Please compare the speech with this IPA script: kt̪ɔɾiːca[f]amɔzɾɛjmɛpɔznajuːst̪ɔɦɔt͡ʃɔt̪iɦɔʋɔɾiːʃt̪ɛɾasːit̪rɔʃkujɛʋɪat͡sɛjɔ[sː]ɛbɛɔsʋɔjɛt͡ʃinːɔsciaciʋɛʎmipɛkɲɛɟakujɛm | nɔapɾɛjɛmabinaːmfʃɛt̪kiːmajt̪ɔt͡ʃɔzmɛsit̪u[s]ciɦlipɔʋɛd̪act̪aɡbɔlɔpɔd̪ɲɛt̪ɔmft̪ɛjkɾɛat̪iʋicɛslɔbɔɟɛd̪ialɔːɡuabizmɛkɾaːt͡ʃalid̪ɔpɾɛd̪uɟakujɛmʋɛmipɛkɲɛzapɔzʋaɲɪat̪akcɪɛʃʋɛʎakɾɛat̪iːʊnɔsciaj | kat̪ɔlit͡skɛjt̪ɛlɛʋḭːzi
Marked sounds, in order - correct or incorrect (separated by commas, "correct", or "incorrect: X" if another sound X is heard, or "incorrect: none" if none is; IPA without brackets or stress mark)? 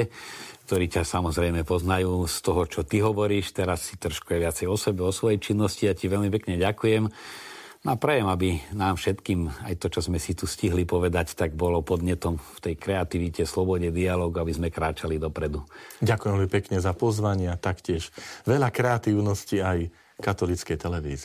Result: incorrect: s, incorrect: s, correct